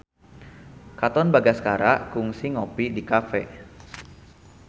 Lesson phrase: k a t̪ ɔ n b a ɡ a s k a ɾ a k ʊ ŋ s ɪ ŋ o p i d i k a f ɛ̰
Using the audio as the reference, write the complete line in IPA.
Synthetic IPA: k a t̪ ɔ n b a ɡ a s k a ɾ a k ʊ ŋ s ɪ ŋ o p i d i k a f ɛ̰